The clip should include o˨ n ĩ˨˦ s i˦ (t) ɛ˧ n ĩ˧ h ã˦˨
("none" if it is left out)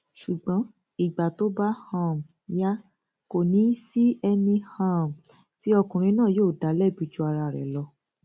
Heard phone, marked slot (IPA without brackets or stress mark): none